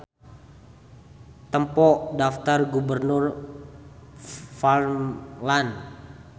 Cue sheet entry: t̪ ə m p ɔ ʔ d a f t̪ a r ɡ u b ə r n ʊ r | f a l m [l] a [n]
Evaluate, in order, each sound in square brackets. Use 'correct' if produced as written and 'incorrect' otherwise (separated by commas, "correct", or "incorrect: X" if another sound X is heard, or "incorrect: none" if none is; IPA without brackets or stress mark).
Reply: correct, correct